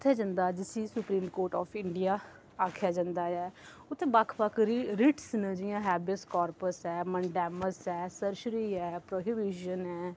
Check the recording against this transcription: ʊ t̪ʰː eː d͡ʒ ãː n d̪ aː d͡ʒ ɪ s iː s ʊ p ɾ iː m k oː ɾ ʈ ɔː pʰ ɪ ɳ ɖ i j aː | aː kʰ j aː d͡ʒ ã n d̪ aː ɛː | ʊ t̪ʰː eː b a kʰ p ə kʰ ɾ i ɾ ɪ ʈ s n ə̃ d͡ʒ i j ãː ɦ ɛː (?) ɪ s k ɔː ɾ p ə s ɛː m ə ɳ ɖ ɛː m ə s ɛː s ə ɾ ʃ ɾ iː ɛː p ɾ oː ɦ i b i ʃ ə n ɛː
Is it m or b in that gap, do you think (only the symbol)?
b